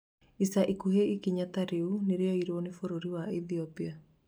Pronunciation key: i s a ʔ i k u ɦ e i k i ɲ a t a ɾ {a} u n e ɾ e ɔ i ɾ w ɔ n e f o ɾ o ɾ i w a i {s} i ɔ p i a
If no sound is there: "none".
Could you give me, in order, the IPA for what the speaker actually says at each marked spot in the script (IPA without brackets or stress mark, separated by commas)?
e, θ